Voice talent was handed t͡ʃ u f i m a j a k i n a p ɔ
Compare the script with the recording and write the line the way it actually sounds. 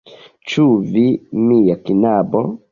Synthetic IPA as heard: t͡ʃ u v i m i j a k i n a b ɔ